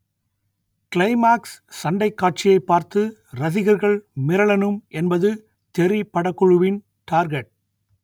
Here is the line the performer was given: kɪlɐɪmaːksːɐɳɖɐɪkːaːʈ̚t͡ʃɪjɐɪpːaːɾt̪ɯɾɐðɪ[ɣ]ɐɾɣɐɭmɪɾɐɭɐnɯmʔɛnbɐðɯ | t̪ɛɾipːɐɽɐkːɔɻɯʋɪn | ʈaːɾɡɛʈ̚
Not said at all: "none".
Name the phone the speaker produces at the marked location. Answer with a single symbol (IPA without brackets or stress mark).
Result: ɣ